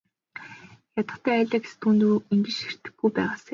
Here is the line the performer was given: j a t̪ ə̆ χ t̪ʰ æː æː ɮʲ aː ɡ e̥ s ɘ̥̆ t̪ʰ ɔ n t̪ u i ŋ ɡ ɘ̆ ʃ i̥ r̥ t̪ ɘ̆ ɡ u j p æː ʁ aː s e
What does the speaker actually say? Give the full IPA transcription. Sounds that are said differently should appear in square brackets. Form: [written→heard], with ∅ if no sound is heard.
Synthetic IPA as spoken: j a t̪ ə̆ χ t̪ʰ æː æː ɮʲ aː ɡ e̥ s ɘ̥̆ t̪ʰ [ɔ→u] n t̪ u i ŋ ɡ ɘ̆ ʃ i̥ r̥ t̪ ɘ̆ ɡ u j p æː ʁ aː s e